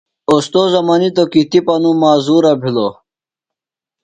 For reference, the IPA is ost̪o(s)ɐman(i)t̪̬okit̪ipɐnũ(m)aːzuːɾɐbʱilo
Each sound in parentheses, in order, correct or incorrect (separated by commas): incorrect, correct, correct